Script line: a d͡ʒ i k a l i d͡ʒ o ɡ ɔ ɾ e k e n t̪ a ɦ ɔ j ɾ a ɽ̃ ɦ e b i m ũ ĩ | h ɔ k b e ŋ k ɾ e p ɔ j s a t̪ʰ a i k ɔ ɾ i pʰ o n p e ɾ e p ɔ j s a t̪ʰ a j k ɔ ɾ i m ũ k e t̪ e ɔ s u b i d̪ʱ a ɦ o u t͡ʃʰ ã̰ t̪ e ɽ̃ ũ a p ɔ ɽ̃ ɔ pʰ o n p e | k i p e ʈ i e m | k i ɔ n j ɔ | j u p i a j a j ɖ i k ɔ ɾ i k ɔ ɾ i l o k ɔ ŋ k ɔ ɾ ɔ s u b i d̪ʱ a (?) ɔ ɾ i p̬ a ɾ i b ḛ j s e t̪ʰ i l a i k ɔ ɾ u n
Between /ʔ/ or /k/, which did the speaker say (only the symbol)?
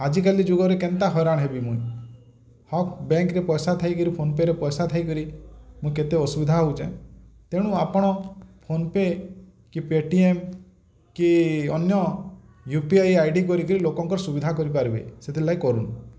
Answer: k